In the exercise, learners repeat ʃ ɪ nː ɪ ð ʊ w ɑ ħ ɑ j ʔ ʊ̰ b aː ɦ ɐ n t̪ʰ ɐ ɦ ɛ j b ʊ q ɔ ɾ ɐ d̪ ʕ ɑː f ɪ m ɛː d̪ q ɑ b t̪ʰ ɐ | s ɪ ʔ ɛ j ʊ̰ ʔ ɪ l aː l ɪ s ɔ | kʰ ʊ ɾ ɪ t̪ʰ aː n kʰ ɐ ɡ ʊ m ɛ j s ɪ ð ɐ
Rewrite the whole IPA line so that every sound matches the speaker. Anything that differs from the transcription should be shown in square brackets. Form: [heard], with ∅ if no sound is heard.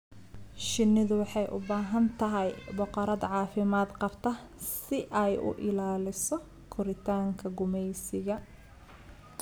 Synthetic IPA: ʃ ɪ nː ɪ ð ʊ w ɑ ħ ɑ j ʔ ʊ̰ b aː ɦ ɐ n t̪ʰ ɐ ɦ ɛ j b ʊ q ɔ ɾ ɐ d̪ ʕ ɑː f ɪ m [aː] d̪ q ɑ b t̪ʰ ɐ | s ɪ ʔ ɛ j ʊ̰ ʔ ɪ l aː l ɪ s ɔ | kʰ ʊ ɾ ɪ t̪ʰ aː [ŋ] kʰ ɐ ɡ ʊ m ɛ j s ɪ [ɣ] ɐ

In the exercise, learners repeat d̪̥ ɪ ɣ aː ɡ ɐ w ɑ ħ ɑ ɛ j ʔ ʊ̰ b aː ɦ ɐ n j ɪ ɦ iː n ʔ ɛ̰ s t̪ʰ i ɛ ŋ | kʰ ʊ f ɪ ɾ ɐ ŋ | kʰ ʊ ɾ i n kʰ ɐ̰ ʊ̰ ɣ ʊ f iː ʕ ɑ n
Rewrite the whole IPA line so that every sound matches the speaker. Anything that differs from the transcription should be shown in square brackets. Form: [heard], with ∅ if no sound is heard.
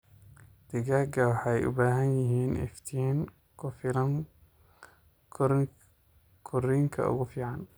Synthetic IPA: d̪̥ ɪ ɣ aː ɡ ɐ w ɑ ħ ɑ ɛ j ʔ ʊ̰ b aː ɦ ɐ n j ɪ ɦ iː n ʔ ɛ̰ [f] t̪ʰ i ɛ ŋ | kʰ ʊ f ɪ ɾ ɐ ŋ | kʰ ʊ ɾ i [ŋ] kʰ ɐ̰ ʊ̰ ɣ ʊ f iː ʕ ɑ n

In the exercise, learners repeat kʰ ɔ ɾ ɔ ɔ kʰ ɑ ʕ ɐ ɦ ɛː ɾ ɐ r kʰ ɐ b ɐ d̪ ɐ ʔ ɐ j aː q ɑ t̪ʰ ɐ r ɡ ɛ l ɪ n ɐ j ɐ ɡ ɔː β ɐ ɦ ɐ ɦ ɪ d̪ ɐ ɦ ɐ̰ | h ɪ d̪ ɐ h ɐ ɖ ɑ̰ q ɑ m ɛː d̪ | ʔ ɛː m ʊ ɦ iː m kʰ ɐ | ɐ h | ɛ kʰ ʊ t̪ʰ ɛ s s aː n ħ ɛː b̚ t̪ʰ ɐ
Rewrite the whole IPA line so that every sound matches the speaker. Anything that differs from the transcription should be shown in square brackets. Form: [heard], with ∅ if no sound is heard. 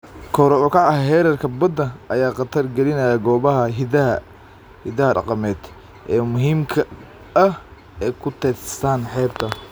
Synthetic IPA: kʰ ɔ ɾ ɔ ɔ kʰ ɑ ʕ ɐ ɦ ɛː ɾ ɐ r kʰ ɐ b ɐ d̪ ɐ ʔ ɐ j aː q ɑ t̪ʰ ɐ r ɡ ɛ l ɪ n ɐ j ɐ ɡ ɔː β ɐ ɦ ɐ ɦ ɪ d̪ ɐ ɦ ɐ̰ | h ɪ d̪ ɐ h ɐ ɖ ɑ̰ q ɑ m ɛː d̪ | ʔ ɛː m ʊ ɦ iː m kʰ ɐ | ɐ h | ɛ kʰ ʊ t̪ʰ ɛ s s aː n ħ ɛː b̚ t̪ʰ ɐ

